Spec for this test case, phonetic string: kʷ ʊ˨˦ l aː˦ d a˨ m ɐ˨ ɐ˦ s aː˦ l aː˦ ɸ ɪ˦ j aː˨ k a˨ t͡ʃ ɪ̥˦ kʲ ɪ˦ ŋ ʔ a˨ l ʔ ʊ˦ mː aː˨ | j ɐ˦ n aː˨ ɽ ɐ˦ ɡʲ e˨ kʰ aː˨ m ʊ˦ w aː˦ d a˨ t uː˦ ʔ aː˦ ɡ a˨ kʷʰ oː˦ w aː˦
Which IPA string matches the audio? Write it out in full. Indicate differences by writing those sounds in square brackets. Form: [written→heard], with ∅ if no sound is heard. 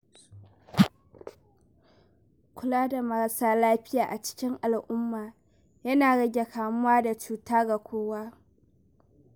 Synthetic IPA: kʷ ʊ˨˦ l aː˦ d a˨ m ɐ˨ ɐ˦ s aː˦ l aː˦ ɸ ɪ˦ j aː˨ [k→ʔ] a˨ t͡ʃ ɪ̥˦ kʲ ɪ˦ ŋ ʔ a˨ l ʔ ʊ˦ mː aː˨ | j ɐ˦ n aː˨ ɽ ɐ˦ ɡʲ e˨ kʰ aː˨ m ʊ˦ w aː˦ d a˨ [t→t͡ʃ] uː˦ [ʔ→t] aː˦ ɡ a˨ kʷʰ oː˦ w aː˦